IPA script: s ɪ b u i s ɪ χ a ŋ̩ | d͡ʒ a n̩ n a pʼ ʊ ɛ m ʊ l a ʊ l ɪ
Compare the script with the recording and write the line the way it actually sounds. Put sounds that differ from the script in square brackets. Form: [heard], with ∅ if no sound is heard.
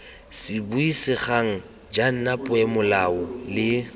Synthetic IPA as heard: s ɪ b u i s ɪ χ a ŋ̩ | d͡ʒ a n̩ n a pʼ ʊ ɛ m ʊ l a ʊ l ɪ